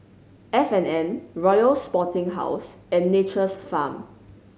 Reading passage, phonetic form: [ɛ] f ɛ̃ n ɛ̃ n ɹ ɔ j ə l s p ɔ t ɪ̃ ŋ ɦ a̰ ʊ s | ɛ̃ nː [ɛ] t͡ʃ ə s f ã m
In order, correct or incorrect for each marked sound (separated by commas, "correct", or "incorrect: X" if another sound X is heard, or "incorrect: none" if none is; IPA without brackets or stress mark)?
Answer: correct, incorrect: e